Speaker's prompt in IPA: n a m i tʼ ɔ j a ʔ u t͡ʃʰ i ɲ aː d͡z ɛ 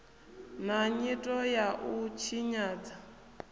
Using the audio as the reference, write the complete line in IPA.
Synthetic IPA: n a ɲ i tʼ ɔ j a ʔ u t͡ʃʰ i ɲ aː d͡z a